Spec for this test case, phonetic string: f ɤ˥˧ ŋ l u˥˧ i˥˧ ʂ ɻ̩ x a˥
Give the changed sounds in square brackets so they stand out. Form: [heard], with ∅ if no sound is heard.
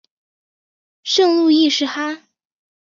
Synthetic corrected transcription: [ʂ] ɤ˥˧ ŋ l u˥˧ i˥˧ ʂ ɻ̩ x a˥